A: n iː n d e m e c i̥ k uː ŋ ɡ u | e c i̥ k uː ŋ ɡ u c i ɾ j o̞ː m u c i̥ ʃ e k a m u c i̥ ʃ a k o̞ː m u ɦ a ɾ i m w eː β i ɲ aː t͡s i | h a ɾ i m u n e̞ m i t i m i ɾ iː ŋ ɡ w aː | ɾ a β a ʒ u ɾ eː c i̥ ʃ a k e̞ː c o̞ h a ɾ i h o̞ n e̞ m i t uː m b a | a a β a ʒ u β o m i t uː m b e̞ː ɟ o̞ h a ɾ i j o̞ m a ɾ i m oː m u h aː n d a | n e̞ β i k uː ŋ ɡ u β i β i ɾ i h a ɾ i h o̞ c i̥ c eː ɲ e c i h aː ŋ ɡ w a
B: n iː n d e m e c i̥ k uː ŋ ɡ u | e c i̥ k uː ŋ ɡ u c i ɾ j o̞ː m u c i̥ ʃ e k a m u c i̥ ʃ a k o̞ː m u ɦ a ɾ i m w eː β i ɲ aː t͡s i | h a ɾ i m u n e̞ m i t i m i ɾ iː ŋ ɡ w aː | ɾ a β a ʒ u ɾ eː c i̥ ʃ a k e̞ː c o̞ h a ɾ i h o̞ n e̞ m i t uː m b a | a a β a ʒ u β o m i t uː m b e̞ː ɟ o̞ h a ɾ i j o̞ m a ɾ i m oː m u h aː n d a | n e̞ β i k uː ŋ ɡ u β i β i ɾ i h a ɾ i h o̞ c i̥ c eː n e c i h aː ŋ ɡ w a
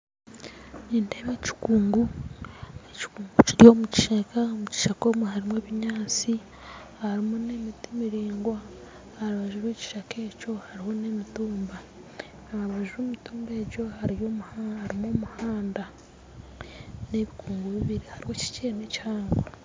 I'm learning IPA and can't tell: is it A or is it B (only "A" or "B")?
B